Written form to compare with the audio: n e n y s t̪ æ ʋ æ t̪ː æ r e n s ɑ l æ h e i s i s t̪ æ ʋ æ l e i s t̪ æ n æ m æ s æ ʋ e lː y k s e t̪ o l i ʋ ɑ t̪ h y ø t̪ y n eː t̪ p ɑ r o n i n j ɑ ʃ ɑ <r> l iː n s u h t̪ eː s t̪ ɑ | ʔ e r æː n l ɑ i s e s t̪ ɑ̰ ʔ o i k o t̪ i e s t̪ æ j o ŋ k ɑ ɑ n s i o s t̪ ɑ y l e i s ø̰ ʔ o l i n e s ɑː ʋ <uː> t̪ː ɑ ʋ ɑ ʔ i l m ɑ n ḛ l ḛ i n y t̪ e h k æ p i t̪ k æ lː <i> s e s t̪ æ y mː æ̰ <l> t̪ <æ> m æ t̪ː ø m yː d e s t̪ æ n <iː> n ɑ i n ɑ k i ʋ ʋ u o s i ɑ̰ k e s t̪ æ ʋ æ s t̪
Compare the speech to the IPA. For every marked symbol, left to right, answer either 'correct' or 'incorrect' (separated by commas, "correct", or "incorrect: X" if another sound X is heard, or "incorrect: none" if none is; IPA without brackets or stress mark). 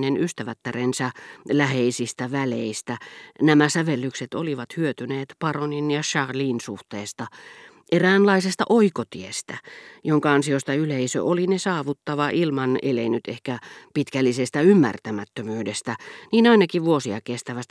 correct, incorrect: u, correct, incorrect: r, correct, correct